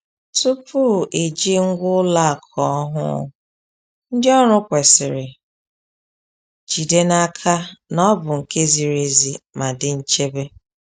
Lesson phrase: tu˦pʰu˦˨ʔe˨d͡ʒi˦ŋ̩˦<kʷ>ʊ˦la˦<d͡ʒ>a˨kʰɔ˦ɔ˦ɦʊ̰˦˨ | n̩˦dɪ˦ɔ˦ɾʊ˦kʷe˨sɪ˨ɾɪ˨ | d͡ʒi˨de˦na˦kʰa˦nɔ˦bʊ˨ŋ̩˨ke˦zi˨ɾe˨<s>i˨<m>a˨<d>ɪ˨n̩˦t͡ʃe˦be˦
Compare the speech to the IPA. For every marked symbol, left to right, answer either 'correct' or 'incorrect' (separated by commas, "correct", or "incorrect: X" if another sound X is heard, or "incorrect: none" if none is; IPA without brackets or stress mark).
incorrect: ɡʷ, incorrect: none, incorrect: z, correct, correct